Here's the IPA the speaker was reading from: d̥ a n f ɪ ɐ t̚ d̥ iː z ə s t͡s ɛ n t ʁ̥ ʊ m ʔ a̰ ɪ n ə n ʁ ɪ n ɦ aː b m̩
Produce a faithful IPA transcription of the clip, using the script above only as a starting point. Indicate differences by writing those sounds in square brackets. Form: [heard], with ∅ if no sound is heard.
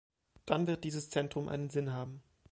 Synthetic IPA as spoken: d̥ a n [v] ɪ ɐ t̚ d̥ iː z ə s t͡s ɛ n t ʁ̥ ʊ m ʔ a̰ ɪ n ə n [z] ɪ n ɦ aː b m̩